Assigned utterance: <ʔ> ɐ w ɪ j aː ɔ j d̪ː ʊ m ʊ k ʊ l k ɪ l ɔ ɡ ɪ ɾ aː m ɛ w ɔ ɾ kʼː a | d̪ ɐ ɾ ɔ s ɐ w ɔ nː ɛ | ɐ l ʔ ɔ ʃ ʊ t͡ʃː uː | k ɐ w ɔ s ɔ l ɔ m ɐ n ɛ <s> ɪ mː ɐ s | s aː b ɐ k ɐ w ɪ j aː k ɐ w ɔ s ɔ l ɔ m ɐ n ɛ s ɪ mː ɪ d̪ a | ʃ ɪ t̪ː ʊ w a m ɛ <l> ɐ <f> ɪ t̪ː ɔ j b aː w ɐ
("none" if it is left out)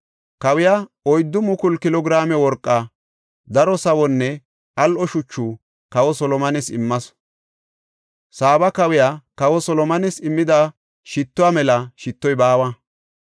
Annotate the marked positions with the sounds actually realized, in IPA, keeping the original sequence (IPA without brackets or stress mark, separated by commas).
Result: k, s, l, ʃ